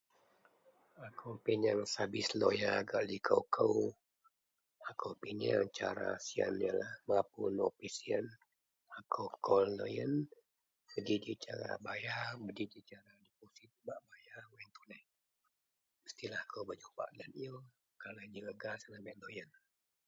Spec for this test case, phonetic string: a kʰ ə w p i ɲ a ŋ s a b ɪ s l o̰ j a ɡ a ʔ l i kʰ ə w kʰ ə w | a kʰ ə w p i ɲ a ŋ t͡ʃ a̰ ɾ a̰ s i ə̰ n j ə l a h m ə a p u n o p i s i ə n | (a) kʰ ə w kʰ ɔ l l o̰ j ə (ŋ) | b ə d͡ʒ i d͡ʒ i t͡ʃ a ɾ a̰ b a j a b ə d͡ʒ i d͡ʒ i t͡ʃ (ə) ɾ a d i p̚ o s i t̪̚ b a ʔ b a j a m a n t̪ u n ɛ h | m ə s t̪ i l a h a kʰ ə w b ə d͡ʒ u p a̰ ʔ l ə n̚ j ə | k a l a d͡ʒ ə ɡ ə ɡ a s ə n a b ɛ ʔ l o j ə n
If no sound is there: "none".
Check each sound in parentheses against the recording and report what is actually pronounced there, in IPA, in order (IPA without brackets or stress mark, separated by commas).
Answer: a, n, a